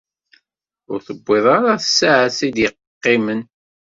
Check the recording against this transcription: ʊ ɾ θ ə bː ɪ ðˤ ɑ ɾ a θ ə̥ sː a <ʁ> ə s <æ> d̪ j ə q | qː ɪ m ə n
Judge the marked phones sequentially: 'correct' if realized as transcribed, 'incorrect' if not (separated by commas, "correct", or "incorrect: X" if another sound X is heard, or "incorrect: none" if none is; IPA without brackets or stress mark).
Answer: incorrect: ʕ, incorrect: i